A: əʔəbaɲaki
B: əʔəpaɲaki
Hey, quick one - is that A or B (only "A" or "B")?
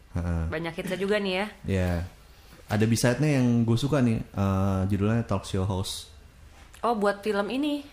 A